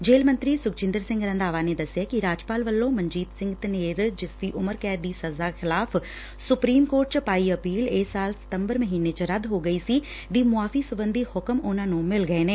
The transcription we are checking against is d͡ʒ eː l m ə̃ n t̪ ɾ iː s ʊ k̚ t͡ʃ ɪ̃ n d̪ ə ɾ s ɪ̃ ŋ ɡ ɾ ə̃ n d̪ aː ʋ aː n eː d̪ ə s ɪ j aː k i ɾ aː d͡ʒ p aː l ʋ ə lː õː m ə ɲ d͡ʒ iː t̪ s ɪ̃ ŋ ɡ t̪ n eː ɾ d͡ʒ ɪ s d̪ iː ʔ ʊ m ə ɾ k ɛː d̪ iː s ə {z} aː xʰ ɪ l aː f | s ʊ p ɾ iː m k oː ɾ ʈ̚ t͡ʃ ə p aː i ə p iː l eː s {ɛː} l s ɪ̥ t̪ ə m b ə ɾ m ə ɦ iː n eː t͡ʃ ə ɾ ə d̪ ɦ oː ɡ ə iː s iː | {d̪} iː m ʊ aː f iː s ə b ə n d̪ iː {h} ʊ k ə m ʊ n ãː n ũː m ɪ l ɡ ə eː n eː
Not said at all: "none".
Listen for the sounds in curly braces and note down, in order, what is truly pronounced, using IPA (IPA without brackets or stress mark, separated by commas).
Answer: z, aː, d̪, h